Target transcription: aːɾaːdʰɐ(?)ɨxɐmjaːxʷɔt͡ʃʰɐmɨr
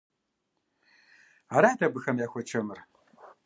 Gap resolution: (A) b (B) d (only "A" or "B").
A